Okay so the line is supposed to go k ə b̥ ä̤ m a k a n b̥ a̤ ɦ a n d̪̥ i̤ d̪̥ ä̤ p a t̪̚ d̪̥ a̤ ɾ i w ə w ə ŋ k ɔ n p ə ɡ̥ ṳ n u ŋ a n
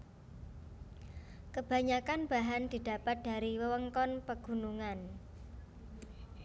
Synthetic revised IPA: k ə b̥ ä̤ ɲ a k a n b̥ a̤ ɦ a n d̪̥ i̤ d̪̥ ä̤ p a t̪̚ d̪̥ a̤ ɾ i w ə w ə ŋ k ɔ n p ə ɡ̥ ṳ n u ŋ a n